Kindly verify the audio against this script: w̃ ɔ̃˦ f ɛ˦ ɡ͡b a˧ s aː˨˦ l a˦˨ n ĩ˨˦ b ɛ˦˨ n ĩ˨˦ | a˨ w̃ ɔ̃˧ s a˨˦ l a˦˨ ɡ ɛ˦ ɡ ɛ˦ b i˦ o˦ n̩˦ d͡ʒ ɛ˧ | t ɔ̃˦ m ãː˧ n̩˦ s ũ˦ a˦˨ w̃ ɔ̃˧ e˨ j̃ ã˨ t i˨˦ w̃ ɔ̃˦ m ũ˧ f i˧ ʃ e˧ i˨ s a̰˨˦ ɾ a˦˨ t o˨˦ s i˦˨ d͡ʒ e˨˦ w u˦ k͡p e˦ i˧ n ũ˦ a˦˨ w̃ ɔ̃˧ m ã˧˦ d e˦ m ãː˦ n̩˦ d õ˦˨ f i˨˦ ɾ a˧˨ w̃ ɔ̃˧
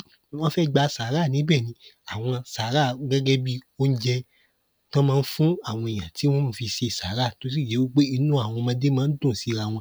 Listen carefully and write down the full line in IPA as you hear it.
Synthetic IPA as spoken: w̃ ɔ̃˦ f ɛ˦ ɡ͡b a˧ s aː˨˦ ɾ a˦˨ n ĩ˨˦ b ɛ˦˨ n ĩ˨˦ | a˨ w̃ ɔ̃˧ s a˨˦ ɾ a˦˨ ɡ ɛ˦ ɡ ɛ˦ b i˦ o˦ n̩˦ d͡ʒ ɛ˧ | t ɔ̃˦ m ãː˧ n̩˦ f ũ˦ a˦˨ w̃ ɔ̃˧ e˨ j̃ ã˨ t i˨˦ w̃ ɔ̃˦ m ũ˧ f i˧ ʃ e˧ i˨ s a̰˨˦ ɾ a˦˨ t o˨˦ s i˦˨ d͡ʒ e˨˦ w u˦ k͡p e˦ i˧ n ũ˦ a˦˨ w̃ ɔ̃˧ m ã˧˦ d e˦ m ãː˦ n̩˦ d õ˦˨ s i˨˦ ɾ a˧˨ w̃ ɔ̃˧